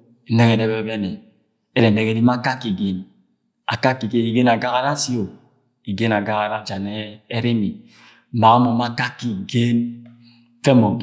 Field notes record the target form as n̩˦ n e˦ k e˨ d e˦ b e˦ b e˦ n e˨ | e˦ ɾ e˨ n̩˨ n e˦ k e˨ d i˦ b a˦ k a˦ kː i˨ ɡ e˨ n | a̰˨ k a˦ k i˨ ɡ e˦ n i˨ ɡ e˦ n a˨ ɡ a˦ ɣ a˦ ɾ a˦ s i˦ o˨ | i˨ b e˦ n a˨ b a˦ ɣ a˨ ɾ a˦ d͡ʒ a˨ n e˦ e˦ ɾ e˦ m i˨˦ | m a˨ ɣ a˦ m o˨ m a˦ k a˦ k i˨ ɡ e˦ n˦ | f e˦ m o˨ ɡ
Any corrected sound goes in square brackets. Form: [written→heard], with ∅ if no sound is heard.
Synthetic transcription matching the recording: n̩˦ n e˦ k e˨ d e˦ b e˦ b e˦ n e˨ | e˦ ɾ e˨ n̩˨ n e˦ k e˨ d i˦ [b→m] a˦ k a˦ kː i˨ ɡ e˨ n | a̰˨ k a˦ k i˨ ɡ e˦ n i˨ ɡ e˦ n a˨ ɡ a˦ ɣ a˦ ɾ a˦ s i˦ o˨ | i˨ [b→ɡ] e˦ n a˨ [b→ɡ] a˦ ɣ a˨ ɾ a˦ d͡ʒ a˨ n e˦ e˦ ɾ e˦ m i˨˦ | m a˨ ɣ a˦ m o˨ m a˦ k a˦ k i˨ ɡ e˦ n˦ | f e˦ m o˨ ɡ